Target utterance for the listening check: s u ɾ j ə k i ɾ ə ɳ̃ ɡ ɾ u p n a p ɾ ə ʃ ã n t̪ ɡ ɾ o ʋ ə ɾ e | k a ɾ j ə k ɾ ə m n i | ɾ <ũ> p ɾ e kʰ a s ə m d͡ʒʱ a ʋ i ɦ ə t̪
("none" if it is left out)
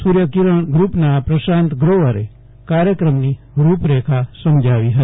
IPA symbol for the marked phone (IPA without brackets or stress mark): u